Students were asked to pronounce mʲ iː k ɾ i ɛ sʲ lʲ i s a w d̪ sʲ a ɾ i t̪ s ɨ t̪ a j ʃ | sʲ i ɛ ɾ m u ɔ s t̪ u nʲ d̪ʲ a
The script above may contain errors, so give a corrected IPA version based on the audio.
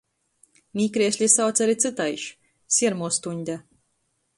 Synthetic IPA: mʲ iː k ɾ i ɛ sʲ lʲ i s a w t̪ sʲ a ɾ i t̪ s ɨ t̪ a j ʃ | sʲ i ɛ ɾ m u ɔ s t̪ u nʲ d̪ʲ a